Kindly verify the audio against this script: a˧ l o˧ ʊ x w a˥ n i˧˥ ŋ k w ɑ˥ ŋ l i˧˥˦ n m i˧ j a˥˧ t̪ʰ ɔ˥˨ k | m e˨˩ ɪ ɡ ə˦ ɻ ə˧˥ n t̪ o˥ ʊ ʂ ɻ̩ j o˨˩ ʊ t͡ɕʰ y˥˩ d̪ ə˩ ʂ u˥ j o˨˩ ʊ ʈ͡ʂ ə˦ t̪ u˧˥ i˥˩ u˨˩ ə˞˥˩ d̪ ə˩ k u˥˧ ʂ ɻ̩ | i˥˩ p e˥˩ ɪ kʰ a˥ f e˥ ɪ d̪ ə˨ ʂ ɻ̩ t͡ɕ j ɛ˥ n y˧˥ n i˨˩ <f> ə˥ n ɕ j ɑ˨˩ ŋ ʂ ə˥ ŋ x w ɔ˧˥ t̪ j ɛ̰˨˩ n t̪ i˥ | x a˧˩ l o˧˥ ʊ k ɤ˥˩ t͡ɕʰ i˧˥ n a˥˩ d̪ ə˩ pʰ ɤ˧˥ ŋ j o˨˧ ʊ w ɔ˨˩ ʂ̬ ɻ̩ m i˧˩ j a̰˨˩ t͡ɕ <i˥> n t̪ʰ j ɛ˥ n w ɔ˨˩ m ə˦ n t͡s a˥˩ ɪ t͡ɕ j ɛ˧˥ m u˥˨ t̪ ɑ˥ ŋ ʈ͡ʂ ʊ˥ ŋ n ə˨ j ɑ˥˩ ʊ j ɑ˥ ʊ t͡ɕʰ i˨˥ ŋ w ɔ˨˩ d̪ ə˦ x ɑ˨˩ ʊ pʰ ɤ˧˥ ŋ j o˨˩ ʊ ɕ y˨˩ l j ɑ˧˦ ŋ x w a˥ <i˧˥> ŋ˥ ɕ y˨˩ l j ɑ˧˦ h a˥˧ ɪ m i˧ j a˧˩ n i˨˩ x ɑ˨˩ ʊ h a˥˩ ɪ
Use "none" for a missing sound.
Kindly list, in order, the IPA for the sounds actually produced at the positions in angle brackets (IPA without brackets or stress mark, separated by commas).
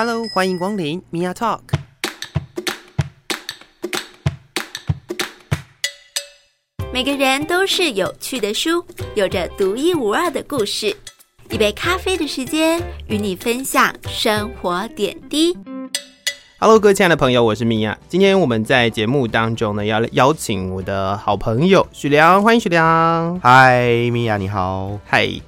f, i˥, i˧